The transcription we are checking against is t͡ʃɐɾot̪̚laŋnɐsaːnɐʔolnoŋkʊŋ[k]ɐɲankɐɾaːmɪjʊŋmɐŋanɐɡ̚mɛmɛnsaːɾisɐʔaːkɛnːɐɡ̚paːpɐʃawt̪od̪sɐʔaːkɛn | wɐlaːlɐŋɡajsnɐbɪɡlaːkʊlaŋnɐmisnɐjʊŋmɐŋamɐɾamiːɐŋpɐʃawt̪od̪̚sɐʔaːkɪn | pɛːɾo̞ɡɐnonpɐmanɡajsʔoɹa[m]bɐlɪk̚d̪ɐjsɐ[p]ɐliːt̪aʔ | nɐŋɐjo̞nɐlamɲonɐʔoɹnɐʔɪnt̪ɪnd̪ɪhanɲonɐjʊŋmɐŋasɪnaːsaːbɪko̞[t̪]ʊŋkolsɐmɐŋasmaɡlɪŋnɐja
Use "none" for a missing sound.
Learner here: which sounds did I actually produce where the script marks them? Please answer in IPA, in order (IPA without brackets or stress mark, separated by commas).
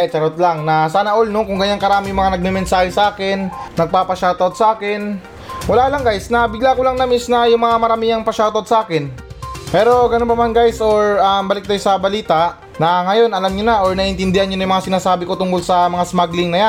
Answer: ɡ, m, b, t̪